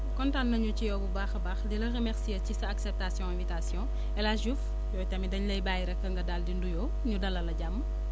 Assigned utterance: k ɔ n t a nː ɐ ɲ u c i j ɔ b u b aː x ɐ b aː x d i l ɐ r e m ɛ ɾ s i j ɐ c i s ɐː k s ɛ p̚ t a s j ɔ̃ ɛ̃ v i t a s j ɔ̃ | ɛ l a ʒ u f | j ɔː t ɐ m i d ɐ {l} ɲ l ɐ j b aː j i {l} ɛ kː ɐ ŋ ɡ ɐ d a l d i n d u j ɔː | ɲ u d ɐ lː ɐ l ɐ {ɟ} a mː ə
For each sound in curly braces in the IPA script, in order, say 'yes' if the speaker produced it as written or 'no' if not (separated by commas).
no, no, yes